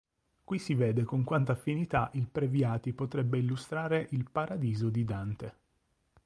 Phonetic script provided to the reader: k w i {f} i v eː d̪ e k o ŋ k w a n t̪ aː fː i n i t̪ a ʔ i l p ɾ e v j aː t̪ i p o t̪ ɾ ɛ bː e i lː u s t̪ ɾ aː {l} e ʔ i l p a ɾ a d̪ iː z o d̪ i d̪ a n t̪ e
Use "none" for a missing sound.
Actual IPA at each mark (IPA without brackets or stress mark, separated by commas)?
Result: s, ɾ